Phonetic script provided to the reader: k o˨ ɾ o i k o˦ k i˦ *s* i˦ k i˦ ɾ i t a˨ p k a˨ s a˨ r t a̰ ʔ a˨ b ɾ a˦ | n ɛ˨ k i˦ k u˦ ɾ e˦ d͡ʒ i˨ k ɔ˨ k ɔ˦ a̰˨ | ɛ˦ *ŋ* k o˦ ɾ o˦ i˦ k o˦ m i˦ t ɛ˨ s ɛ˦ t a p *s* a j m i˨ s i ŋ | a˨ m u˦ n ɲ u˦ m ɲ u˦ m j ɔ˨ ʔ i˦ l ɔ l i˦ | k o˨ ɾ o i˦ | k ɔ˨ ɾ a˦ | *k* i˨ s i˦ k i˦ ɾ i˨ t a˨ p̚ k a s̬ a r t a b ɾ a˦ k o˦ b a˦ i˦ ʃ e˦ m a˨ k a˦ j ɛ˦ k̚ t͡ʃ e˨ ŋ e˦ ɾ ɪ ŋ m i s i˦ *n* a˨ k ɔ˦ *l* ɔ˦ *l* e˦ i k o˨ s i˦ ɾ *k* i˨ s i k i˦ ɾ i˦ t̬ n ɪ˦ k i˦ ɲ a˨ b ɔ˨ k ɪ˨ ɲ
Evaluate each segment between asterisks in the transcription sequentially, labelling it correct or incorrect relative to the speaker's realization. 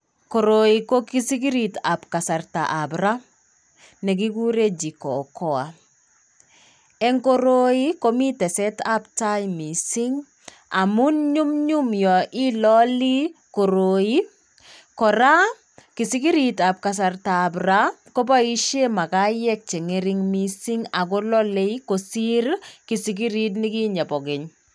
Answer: correct, correct, incorrect: t, correct, incorrect: ŋ, correct, correct, correct

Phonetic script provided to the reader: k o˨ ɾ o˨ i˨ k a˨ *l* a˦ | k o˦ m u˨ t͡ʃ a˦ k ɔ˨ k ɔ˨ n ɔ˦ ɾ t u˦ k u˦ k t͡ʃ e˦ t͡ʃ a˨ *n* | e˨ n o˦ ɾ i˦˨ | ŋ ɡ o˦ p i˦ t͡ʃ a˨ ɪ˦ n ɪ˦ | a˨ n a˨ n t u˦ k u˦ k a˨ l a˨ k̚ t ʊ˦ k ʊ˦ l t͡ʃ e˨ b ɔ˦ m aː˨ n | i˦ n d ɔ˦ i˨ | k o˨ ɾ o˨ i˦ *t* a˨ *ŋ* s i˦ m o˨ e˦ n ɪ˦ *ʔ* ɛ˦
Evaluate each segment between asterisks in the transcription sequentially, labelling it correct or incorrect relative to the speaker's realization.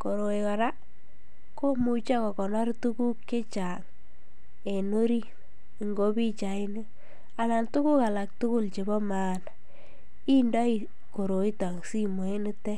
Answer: incorrect: ɾ, incorrect: ŋ, correct, correct, incorrect: t

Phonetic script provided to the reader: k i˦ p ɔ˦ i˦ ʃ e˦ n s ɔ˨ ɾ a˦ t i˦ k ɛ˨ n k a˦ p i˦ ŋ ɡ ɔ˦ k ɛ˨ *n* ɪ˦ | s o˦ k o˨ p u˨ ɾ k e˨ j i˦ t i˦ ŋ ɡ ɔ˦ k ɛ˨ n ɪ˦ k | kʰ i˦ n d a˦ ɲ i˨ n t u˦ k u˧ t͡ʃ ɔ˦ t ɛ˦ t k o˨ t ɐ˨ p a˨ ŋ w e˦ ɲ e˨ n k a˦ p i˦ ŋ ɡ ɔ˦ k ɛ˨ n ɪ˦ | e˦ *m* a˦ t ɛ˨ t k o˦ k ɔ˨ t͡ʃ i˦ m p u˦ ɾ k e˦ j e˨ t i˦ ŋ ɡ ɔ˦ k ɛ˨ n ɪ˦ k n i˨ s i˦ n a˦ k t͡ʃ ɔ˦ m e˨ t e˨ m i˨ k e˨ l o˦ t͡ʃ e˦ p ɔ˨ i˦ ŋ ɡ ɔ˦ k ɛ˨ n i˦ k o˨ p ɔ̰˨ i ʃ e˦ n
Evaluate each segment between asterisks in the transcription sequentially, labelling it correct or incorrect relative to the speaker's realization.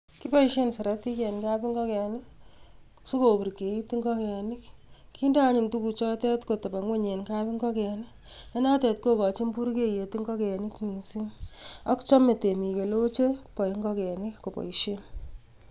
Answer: correct, incorrect: n

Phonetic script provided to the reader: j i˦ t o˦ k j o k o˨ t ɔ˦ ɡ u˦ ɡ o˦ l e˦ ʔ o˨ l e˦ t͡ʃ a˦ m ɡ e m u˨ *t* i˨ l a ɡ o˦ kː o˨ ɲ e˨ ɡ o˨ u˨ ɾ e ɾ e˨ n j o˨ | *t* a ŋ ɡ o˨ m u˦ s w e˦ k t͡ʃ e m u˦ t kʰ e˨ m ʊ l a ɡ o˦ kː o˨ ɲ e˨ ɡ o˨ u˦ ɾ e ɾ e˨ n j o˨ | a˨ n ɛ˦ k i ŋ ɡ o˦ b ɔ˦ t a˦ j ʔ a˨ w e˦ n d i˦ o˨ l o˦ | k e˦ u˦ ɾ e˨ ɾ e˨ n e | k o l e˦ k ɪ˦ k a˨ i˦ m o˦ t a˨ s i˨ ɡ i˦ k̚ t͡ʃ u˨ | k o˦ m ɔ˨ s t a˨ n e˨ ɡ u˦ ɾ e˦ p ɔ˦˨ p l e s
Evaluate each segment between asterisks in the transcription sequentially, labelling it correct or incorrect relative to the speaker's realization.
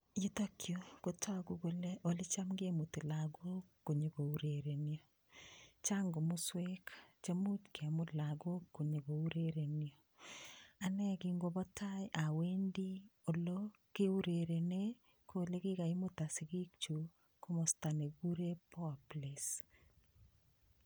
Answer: correct, incorrect: t͡ʃ

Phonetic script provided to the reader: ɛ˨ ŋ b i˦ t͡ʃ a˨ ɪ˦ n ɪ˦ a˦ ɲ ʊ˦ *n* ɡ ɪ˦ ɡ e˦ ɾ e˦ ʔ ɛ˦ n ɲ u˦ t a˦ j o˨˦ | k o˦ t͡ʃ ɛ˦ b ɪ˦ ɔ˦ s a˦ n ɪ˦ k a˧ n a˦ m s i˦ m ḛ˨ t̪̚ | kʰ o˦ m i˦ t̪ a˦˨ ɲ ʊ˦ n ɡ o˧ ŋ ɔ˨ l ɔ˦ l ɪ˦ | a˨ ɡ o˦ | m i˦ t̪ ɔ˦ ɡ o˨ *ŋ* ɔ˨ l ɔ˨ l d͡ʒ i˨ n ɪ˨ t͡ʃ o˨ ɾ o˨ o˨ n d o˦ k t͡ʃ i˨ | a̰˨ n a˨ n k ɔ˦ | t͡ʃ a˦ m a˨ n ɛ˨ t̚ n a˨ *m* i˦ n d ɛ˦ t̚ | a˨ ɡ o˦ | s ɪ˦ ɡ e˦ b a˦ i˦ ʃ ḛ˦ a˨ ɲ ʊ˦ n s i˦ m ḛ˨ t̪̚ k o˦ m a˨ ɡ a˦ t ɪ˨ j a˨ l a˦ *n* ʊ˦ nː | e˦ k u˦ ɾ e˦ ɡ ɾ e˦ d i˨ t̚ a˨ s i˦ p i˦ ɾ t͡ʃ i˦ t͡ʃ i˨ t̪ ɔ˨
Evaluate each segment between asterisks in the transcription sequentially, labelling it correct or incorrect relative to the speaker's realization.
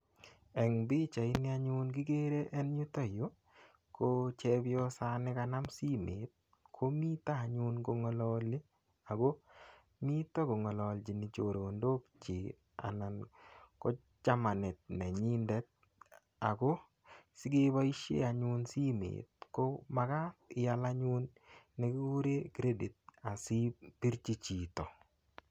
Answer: correct, correct, incorrect: ɲ, incorrect: ɲ

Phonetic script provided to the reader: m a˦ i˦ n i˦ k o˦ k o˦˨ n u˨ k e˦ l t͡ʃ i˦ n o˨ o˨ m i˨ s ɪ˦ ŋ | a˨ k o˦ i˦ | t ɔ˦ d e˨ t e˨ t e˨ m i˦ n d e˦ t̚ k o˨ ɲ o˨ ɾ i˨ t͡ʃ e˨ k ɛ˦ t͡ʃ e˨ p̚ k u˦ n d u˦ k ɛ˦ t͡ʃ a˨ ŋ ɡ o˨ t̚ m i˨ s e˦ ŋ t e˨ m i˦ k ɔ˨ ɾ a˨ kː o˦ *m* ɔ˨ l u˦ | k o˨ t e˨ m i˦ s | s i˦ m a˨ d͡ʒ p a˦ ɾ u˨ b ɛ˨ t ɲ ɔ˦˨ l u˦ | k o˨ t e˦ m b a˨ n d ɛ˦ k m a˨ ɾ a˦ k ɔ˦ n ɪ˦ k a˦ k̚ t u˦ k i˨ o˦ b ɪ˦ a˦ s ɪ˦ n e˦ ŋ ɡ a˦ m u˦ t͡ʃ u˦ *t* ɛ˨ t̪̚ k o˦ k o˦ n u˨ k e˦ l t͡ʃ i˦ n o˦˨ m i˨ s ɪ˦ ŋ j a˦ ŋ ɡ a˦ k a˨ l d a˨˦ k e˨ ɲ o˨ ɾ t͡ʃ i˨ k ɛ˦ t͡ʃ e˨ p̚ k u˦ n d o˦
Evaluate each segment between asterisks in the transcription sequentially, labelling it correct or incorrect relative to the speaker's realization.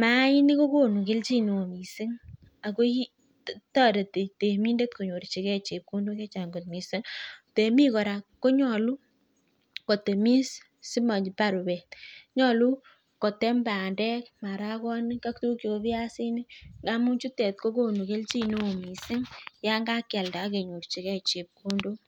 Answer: incorrect: ɲ, correct

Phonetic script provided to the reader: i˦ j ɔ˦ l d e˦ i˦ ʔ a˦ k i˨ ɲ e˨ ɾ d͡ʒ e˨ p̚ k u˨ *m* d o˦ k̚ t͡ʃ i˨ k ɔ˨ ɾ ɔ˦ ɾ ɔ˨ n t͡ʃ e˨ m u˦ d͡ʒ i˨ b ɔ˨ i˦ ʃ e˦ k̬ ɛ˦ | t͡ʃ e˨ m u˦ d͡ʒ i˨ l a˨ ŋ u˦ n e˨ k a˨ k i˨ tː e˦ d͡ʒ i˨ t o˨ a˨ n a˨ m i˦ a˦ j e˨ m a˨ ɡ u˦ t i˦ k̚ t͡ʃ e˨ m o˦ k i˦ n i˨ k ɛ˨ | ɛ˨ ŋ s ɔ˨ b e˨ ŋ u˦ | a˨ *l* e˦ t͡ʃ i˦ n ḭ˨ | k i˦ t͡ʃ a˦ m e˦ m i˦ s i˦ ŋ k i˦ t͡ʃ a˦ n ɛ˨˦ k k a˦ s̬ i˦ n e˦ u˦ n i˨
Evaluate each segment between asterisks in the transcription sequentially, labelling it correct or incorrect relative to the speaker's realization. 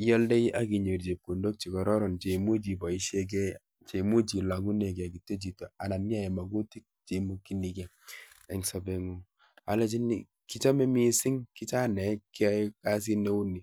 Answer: incorrect: n, correct

